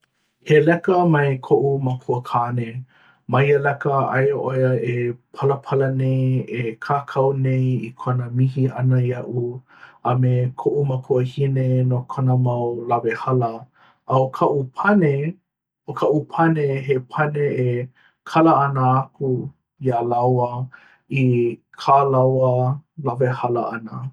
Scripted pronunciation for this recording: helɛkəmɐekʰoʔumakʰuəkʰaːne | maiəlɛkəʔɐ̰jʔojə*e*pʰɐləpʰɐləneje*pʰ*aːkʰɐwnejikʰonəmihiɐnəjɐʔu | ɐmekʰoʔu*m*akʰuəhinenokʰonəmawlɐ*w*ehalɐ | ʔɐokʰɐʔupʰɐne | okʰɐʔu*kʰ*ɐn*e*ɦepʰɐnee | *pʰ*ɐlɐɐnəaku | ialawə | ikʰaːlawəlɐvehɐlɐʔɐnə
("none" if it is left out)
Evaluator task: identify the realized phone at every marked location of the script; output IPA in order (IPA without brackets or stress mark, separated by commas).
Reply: e, kʰ, m, v, pʰ, e, kʰ